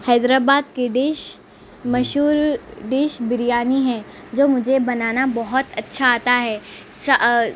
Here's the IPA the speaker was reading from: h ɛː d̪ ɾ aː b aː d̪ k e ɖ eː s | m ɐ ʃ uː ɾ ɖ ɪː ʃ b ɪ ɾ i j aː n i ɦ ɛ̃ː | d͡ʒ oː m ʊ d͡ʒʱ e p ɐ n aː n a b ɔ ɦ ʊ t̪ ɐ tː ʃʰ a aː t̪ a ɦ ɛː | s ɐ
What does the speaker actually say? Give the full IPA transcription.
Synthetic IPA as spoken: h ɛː d̪ ɾ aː b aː d̪ k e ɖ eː ʃ | m ɐ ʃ uː ɾ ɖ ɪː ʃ b ɪ ɾ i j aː n i ɦ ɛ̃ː | d͡ʒ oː m ʊ d͡ʒʱ e b ɐ n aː n a b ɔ ɦ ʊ t̪ ɐ tː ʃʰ a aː t̪ a ɦ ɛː | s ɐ